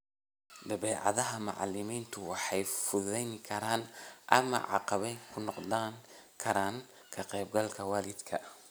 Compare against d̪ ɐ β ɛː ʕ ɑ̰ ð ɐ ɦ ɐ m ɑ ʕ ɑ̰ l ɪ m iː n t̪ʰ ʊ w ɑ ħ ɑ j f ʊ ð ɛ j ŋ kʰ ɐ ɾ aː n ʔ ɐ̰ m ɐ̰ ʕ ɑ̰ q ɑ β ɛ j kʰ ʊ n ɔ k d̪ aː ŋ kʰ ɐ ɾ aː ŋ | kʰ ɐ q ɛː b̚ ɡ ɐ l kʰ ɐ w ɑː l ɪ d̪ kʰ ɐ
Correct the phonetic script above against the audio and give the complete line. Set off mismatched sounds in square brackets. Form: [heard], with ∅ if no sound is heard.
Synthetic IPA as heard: d̪ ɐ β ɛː ʕ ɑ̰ ð ɐ ɦ ɐ m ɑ ʕ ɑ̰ l ɪ m iː n t̪ʰ ʊ w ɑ ħ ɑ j f ʊ ð ɛ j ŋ kʰ ɐ ɾ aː n ʔ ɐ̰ m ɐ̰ ʕ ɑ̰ q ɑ β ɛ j kʰ ʊ n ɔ [q] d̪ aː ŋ kʰ ɐ ɾ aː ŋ | kʰ ɐ q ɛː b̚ ɡ ɐ l kʰ ɐ w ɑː l ɪ d̪ kʰ ɐ